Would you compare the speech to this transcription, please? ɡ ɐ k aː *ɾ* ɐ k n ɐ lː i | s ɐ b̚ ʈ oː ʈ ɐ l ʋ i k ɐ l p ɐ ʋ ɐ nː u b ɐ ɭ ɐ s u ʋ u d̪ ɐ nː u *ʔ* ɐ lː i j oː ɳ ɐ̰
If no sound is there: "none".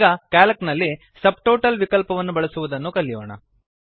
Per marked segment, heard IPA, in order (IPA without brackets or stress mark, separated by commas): l, k